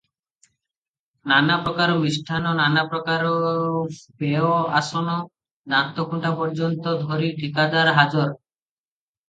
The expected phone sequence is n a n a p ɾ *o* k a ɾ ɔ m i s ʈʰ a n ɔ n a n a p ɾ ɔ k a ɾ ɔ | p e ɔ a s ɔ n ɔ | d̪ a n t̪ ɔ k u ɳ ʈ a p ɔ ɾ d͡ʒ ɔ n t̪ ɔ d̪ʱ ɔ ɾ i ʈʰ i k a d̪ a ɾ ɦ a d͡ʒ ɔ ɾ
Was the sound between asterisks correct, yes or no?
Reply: no